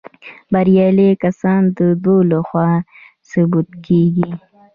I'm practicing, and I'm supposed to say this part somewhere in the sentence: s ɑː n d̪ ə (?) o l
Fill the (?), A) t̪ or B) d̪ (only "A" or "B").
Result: B